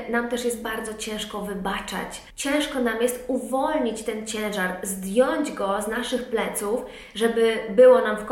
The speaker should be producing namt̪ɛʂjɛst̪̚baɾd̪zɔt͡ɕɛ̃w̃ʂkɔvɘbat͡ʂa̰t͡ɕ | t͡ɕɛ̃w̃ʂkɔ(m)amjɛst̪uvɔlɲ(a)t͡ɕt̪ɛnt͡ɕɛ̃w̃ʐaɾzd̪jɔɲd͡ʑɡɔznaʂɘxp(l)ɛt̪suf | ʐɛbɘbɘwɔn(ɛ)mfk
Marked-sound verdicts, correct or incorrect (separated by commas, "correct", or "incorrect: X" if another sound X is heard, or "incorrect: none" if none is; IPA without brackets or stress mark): incorrect: n, incorrect: i, correct, incorrect: a